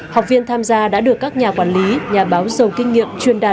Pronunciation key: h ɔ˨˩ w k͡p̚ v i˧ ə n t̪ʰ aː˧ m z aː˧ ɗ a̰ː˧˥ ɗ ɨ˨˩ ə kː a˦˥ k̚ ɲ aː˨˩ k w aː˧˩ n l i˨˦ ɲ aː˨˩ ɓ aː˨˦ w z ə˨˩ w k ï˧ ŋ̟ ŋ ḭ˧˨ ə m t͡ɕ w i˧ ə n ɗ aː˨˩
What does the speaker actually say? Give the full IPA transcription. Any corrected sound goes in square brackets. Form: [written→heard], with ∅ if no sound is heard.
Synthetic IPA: h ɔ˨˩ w k͡p̚ v i˧ ə n t̪ʰ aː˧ m z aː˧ ɗ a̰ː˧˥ ɗ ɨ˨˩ ə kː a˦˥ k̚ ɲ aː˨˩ k w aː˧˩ n l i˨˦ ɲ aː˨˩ ɓ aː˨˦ w z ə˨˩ w k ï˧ ŋ̟ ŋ ḭ˧˨ ə m t͡ɕ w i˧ ə n ɗ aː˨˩